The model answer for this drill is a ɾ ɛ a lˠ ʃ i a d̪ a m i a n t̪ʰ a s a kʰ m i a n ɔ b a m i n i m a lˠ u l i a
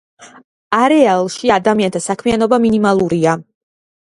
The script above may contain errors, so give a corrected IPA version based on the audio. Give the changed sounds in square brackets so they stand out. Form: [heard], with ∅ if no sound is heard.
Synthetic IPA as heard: a ɾ ɛ a lˠ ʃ i a d̪ a m i a n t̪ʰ a s a kʰ m i a n ɔ b a m i n i m a lˠ u [ɾ] i a